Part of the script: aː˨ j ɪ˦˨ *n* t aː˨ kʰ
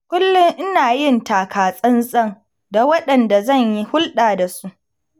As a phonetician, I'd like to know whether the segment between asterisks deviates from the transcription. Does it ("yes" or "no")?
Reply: no